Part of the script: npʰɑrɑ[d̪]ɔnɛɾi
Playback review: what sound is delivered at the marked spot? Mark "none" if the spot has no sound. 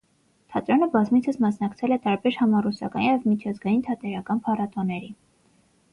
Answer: t̪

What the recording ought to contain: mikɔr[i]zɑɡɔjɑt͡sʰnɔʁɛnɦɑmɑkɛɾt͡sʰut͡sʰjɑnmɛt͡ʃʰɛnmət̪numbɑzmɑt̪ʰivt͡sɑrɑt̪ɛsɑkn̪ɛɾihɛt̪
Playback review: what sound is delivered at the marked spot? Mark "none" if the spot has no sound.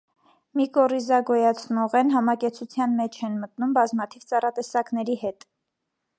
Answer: i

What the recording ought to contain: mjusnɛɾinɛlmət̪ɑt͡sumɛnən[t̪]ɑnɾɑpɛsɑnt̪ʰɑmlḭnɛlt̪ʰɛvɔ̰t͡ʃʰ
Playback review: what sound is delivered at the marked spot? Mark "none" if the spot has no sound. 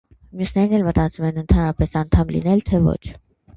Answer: t̪ʰ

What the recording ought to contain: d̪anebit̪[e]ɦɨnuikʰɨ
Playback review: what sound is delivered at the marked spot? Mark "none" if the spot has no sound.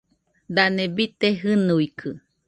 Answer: e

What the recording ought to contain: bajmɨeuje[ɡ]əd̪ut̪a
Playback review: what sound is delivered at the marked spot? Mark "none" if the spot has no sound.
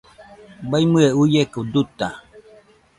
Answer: k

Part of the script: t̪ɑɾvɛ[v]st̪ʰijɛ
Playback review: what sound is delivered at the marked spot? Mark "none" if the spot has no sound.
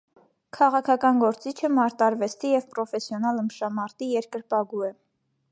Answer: none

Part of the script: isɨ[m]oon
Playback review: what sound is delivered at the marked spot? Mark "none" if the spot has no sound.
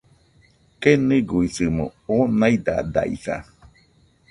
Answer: m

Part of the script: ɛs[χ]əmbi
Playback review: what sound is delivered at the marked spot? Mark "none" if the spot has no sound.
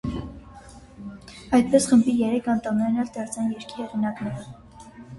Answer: χ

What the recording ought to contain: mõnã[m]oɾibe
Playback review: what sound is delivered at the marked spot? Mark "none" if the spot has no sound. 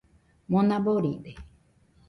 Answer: b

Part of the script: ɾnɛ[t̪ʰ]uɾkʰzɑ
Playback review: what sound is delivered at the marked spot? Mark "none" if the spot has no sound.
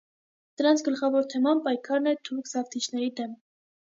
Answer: t̪ʰ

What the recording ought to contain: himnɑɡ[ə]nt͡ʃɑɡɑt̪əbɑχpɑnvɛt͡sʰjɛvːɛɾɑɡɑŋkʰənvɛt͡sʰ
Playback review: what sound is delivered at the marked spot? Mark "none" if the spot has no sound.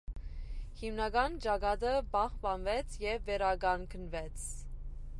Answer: ɑ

